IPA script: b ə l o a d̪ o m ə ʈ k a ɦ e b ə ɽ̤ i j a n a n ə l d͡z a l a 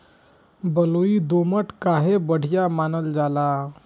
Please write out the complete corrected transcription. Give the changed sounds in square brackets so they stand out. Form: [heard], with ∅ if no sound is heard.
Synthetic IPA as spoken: b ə l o [i] d̪ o m ə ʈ k a ɦ e b ə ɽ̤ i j a [m] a n ə l d͡z a l a